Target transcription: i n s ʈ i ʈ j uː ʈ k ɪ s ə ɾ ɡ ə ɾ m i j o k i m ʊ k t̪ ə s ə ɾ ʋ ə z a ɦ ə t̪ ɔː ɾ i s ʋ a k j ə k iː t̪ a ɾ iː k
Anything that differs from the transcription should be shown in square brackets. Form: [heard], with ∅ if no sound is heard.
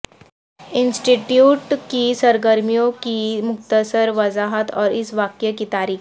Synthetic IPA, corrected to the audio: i n s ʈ i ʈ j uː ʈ k [i] s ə ɾ ɡ ə ɾ m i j o k i m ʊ k t̪ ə s ə ɾ ʋ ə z a ɦ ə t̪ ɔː ɾ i s ʋ a k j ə k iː t̪ a ɾ iː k